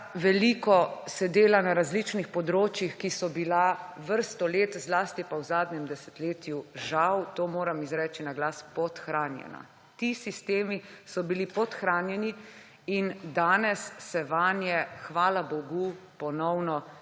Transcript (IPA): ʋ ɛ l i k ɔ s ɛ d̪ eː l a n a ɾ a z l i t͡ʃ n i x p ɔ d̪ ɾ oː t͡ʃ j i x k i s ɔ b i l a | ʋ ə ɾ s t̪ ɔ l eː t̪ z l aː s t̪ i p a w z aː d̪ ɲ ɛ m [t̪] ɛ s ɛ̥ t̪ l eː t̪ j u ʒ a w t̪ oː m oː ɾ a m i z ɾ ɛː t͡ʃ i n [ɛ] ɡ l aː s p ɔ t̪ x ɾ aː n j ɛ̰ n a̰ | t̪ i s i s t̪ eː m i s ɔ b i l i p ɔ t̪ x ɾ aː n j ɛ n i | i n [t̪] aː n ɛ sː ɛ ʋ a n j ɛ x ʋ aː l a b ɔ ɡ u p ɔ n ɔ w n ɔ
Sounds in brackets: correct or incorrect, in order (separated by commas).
incorrect, incorrect, incorrect